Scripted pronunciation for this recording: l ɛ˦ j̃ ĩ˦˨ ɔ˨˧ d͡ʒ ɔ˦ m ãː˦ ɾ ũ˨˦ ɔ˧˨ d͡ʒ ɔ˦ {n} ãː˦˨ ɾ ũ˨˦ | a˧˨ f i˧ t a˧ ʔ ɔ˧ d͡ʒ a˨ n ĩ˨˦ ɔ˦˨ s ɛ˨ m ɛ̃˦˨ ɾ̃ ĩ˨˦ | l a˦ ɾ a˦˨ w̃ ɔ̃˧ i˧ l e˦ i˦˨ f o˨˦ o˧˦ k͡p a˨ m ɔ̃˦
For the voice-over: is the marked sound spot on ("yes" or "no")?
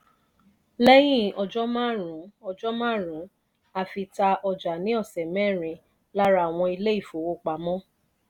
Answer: no